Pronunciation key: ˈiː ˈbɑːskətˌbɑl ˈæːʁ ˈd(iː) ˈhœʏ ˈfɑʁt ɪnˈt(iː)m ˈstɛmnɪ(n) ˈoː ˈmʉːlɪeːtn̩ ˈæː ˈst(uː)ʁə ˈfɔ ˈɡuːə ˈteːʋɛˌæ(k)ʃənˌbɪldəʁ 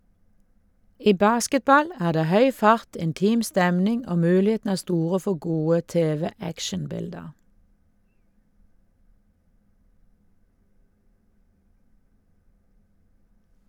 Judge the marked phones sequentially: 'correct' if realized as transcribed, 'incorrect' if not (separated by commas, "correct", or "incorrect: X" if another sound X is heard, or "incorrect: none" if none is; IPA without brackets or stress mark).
incorrect: eː, correct, incorrect: ŋ, correct, correct